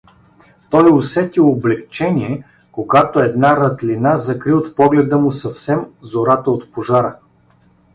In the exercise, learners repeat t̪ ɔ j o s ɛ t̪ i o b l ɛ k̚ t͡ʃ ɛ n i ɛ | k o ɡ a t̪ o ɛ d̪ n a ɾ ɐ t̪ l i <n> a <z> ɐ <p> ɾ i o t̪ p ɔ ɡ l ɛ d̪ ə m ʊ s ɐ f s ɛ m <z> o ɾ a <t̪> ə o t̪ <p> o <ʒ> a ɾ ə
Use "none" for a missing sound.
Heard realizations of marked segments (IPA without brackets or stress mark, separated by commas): n, z, k, z, t̪, p, ʒ